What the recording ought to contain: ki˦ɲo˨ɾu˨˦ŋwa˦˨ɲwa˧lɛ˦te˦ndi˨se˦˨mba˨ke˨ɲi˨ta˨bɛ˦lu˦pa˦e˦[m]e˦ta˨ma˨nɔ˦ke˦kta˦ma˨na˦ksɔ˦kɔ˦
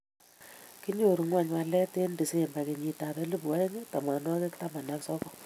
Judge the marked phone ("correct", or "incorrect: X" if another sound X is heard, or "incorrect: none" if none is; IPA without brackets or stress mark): incorrect: ŋ